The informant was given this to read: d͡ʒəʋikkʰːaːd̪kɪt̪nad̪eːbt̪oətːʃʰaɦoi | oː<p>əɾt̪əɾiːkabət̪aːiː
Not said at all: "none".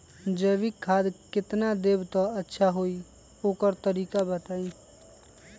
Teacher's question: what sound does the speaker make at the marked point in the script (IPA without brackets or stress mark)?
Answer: k